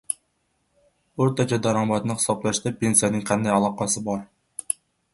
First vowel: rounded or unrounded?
rounded